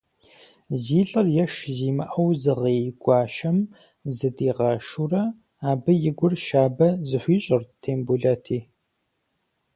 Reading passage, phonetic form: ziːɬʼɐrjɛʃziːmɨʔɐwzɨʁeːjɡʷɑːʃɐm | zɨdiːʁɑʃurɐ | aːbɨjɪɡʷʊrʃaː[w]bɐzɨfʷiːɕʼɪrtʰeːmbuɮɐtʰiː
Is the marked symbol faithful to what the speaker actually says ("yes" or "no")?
no